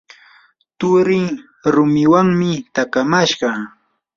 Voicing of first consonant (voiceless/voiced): voiceless